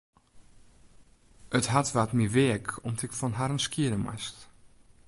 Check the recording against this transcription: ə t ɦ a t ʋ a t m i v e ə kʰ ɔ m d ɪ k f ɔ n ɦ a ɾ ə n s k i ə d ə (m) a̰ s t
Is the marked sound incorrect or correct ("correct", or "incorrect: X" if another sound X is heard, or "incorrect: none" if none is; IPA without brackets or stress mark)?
correct